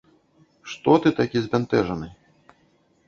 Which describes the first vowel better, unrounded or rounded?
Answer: rounded